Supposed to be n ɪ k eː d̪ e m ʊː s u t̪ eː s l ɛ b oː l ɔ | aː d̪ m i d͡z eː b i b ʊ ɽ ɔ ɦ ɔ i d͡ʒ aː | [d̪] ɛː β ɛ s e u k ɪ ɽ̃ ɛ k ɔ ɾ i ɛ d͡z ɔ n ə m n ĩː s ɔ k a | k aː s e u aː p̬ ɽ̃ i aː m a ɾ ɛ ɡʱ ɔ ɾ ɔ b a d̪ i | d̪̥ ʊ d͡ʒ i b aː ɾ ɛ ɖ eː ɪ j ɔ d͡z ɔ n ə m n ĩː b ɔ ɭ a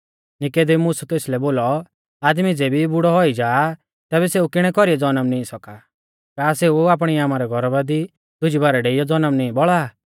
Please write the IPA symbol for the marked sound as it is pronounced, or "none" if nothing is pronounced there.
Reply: t̪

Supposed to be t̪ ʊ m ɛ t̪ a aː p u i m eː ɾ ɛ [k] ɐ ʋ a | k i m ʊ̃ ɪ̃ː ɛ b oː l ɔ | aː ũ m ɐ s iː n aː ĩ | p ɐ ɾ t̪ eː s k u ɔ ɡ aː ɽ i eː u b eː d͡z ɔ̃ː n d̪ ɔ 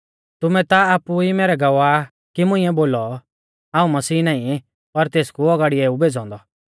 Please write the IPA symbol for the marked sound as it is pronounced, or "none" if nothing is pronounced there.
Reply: ɡ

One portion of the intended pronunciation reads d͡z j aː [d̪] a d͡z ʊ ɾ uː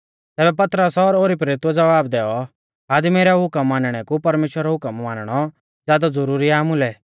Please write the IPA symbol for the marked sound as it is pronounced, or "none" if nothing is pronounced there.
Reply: d̪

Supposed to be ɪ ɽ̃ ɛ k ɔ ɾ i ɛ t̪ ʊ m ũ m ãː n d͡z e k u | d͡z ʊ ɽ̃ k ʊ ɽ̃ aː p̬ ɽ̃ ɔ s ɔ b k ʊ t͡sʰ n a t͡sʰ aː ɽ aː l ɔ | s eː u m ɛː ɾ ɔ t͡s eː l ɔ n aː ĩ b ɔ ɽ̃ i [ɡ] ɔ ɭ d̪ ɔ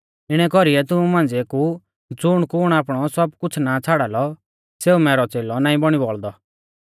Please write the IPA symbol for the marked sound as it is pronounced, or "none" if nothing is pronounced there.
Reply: b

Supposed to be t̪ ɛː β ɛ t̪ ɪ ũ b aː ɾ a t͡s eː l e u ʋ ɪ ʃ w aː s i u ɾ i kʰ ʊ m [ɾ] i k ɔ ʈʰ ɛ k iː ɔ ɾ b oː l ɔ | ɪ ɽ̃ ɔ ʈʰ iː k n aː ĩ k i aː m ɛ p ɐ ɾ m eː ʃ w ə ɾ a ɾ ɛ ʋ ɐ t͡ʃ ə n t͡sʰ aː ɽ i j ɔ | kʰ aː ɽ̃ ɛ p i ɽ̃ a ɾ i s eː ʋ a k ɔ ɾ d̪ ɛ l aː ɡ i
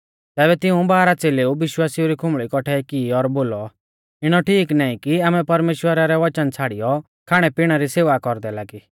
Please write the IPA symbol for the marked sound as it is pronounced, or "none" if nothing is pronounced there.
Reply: ɭ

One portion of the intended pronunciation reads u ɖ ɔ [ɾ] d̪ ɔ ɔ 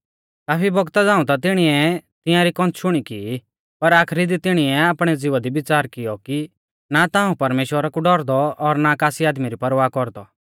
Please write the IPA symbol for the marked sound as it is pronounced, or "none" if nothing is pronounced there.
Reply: ɾ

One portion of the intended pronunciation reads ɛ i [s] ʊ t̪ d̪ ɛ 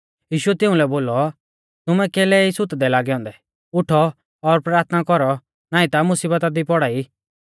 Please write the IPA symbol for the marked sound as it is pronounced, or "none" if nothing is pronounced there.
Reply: s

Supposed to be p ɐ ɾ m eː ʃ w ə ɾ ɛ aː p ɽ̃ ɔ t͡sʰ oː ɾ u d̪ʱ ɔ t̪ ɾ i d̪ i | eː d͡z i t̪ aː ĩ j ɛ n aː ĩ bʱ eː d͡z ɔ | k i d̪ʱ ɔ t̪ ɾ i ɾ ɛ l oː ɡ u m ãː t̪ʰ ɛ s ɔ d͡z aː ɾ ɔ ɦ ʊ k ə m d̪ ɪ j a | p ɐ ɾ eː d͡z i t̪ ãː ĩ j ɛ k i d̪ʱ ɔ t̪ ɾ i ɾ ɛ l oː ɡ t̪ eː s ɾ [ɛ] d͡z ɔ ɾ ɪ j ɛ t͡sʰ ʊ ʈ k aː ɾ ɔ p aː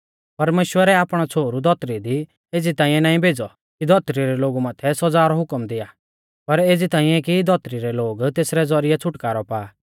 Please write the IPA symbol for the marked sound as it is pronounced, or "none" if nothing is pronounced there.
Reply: ɛ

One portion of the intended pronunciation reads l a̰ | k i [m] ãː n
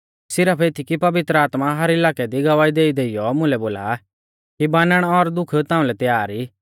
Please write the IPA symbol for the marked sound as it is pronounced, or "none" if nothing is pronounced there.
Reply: b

